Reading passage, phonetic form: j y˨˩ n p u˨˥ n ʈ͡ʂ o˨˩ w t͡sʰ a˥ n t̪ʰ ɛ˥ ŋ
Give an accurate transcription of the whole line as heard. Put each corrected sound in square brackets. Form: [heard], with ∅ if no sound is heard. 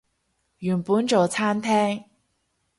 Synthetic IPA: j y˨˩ n p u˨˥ n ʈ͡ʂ o˨˩ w t͡sʰ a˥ n t̪ʰ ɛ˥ ŋ